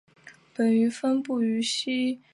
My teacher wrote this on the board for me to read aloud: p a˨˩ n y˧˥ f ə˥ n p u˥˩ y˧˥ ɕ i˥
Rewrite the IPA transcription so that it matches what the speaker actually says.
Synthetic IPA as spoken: p ə˨˩ n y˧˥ f ə˥ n p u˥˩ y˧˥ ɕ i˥

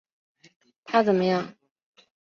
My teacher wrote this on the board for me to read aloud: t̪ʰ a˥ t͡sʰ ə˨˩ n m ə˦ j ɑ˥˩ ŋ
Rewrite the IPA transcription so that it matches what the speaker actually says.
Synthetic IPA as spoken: t̪ʰ a˥ t͡s ə˨˩ n m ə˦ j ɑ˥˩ ŋ

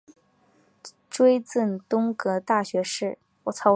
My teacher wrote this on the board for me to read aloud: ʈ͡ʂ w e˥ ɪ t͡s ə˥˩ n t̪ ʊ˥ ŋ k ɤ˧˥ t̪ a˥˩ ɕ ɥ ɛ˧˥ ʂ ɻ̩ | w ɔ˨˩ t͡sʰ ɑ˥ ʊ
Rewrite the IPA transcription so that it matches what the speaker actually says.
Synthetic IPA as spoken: ʈ͡ʂ w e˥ ɪ t͡s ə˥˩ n t̪ ʊ˥ ŋ k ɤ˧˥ t̪ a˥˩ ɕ ɥ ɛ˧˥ ʂ ɻ̩ | w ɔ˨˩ t͡sʰ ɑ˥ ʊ

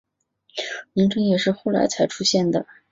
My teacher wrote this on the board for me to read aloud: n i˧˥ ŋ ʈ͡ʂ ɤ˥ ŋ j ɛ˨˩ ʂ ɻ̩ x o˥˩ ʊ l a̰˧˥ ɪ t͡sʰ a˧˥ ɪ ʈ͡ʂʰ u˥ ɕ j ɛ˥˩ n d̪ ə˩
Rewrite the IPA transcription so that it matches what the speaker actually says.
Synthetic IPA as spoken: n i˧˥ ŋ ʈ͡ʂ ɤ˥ ŋ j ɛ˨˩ ʂ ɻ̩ x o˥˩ ʊ l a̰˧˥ ɪ t͡sʰ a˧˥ ɪ ʈ͡ʂʰ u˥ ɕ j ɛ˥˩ n d̪ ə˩

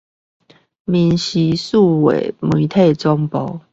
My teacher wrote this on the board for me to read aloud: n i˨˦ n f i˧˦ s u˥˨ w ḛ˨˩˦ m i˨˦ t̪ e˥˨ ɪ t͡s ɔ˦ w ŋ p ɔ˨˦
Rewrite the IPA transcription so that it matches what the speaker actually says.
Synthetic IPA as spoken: m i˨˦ n ɕ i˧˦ s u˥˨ w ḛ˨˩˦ m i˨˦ t̪ʰ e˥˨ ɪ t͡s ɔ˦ ŋ p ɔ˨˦

